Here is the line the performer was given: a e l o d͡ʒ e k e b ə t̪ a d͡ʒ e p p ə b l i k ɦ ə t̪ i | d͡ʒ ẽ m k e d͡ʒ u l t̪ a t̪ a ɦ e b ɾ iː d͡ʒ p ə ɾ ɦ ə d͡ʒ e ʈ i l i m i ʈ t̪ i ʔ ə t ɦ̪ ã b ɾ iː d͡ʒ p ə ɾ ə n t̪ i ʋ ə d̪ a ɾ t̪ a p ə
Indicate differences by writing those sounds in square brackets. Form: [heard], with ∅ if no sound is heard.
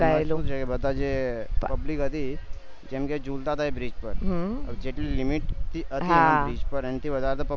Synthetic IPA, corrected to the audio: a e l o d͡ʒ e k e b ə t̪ a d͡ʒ e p p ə b l i k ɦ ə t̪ i | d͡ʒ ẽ m k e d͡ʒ u l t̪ a t̪ a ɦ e b ɾ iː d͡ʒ p ə ɾ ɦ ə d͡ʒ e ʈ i l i m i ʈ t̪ i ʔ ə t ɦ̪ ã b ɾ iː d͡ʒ p ə ɾ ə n t̪ i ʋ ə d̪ a ɾ t̪ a p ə